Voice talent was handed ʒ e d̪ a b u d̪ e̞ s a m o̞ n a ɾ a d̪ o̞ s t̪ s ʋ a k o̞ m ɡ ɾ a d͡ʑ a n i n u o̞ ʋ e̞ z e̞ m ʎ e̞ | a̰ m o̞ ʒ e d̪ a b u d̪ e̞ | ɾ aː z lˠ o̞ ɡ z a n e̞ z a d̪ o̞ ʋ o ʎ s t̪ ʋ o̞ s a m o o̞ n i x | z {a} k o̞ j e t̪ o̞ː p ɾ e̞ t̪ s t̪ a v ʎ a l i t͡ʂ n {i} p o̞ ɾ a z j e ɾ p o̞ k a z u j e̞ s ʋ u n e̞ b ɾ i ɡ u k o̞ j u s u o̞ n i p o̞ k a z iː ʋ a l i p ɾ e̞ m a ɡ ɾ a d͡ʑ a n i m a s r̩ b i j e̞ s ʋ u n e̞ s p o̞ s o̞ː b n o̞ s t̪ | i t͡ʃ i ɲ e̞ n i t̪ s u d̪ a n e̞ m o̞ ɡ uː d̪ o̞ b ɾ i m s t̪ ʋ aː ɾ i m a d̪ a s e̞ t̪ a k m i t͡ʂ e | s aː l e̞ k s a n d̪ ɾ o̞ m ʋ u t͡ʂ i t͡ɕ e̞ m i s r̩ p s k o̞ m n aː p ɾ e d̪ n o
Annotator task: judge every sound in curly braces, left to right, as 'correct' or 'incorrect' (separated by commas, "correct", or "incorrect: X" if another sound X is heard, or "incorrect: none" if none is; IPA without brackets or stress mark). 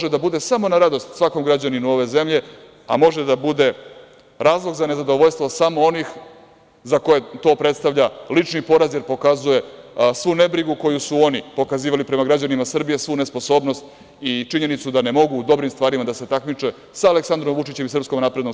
correct, correct